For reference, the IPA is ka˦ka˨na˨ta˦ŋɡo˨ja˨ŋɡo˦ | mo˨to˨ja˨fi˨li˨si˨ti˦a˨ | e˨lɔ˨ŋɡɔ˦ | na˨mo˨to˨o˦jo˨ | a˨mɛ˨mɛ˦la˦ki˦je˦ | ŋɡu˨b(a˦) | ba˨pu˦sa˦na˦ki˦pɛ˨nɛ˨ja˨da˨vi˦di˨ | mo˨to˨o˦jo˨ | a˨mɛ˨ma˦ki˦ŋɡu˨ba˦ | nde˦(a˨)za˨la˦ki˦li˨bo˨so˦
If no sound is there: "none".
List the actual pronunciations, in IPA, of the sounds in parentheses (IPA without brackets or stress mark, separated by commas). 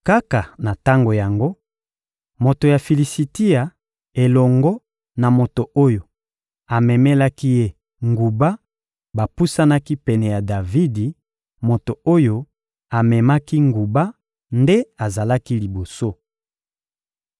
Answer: a˦, a˨